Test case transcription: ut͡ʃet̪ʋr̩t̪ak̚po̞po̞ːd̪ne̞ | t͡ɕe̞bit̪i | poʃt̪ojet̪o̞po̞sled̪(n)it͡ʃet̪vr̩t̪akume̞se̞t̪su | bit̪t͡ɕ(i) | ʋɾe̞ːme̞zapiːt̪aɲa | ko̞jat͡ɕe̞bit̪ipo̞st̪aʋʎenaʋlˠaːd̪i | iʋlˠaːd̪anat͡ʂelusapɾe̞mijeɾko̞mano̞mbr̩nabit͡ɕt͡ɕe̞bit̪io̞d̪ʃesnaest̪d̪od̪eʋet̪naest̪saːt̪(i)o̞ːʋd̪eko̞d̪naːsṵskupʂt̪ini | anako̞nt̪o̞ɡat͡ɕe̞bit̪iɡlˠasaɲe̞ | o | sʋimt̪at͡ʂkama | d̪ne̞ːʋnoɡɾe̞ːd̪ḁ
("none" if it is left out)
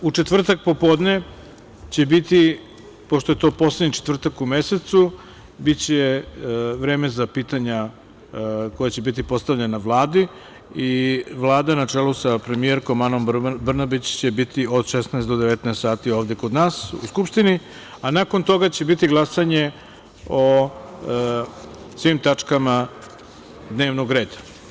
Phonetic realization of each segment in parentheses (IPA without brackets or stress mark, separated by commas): ɲ, e, i